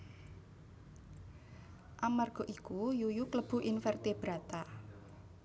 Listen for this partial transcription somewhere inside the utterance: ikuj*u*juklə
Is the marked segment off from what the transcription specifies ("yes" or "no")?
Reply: no